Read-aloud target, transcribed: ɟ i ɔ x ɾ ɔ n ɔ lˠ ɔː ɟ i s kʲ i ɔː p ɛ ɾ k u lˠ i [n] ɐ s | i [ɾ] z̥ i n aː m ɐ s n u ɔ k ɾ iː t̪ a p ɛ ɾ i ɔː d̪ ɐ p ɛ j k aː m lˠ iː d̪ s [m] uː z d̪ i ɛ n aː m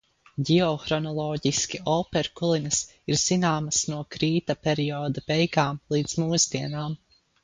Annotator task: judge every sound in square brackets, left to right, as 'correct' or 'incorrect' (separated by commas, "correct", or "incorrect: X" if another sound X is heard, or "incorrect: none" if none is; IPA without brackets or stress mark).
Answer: correct, correct, correct